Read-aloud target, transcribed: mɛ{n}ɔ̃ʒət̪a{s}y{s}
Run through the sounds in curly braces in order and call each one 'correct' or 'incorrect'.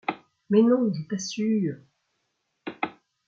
correct, correct, incorrect: none

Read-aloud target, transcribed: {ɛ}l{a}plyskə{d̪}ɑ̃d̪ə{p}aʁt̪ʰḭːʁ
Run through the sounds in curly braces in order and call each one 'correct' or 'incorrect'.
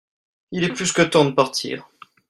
incorrect: i, incorrect: ɛ, incorrect: t̪, correct

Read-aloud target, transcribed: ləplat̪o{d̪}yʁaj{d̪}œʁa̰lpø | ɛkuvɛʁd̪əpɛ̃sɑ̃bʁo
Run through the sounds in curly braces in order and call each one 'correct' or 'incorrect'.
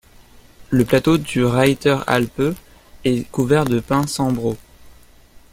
correct, incorrect: t̪

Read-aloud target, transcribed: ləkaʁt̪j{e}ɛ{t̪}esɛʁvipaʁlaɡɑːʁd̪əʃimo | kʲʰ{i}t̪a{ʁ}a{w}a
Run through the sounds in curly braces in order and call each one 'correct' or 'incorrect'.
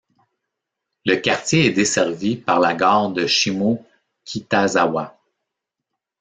correct, incorrect: d̪, correct, incorrect: z, correct

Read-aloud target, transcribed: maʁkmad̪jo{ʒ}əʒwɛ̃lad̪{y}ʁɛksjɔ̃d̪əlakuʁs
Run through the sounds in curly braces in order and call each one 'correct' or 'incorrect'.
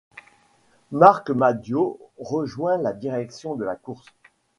incorrect: ʁ, incorrect: i

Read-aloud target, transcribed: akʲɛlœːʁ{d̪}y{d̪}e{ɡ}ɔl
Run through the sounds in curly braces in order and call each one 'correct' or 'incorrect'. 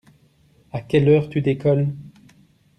incorrect: t̪, correct, incorrect: k

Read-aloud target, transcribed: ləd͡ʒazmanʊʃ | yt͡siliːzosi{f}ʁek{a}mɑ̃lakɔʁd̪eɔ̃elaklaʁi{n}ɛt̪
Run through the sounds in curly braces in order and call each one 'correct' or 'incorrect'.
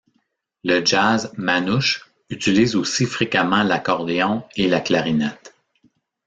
correct, correct, correct

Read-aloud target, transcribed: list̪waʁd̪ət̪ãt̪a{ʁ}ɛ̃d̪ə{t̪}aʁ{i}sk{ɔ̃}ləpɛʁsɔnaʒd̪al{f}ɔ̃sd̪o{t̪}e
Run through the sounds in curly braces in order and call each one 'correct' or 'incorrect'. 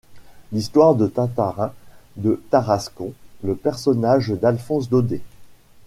correct, correct, incorrect: a, correct, correct, incorrect: d̪

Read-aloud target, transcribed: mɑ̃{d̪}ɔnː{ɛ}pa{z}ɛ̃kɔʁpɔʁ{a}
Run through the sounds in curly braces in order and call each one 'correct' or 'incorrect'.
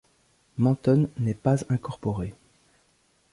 incorrect: t̪, correct, correct, incorrect: e

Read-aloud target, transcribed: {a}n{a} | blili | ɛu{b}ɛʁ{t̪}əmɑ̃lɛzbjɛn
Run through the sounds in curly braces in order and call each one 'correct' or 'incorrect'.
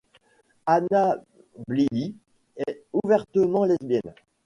correct, correct, incorrect: v, correct

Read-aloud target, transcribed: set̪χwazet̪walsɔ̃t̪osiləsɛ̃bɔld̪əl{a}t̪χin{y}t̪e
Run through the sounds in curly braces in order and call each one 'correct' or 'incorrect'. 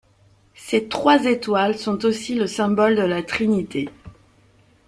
correct, incorrect: i

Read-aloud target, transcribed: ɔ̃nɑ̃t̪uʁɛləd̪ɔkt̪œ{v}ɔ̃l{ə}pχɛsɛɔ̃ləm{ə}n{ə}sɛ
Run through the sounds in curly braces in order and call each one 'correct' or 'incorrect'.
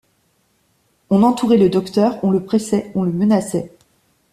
incorrect: ʁ, correct, correct, incorrect: a

